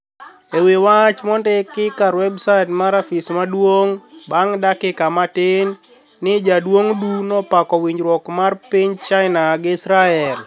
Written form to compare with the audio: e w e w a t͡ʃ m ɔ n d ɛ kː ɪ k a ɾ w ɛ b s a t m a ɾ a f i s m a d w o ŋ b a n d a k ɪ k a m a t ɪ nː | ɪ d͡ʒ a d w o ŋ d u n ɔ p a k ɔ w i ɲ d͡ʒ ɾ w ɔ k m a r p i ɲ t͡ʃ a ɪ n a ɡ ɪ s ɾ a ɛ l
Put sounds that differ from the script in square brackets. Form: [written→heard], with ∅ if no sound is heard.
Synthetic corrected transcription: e w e w a t͡ʃ m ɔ n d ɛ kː ɪ k a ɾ w ɛ b s a t m a ɾ a f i s m a d w o ŋ b a [n→ŋ] d a k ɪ k a m a t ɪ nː | ɪ d͡ʒ a d w o ŋ d u n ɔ p a k ɔ w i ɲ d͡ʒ ɾ w ɔ k m a r p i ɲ t͡ʃ a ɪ n a ɡ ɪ s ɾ a ɛ l